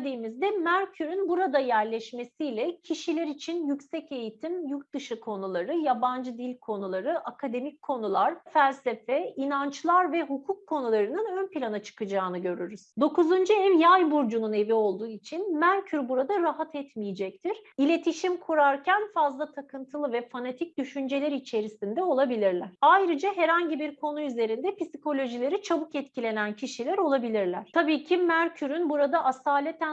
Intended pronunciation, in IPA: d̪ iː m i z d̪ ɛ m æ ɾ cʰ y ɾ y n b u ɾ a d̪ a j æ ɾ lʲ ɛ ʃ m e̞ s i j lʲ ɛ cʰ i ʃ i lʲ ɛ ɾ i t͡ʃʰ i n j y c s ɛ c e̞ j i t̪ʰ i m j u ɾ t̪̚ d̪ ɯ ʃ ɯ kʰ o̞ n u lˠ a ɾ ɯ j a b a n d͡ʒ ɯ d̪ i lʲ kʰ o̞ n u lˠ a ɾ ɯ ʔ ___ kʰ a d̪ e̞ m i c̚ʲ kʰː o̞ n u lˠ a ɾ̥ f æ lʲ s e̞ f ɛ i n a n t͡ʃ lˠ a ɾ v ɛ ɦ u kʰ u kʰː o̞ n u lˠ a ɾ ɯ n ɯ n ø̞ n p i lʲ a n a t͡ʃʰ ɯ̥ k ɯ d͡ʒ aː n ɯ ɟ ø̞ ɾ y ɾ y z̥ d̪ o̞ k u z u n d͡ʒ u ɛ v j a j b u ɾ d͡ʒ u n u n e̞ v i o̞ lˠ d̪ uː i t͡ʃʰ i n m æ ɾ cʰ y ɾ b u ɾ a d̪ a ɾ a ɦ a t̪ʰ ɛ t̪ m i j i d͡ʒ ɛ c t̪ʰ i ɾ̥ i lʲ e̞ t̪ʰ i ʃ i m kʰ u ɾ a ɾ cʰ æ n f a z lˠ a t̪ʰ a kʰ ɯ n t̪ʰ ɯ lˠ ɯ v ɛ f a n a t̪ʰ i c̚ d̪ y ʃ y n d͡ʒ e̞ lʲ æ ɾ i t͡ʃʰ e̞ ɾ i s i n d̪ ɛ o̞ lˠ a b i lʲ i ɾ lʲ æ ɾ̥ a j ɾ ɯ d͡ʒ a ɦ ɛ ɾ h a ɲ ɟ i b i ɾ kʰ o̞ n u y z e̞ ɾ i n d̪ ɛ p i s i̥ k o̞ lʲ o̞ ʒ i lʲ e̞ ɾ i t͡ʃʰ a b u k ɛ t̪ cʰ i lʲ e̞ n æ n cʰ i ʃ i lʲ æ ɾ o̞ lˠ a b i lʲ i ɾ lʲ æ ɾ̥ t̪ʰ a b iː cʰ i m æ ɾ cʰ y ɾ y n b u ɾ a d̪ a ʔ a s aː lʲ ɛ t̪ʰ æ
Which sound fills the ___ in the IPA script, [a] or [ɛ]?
a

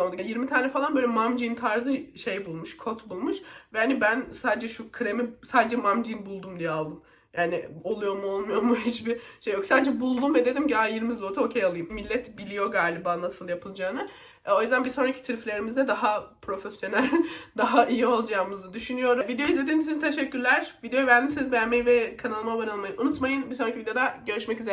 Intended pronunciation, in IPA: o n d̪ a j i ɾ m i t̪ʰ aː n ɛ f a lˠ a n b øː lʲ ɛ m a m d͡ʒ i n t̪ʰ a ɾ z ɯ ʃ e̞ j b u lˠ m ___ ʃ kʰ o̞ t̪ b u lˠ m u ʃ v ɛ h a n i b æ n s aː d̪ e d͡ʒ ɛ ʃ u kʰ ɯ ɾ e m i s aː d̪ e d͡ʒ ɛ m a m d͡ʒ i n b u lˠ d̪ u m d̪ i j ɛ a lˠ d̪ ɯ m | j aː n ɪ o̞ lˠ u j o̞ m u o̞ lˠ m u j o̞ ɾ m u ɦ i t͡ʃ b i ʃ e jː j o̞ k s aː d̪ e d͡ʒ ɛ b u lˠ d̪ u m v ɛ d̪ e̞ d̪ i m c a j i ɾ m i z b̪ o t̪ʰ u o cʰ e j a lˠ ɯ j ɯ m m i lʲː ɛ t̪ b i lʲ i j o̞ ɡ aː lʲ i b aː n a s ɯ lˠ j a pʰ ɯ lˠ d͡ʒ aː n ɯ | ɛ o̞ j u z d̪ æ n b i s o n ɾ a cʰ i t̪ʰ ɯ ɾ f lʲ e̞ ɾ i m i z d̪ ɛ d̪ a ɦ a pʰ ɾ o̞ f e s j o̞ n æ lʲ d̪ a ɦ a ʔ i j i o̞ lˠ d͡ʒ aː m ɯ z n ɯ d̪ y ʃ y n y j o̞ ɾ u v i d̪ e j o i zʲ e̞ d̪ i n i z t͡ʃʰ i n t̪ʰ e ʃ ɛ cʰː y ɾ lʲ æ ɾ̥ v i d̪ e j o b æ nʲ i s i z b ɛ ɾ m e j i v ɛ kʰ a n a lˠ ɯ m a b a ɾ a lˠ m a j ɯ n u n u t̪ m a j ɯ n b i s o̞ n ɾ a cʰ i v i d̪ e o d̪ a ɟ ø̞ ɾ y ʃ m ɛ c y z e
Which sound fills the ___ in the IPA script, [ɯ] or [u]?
u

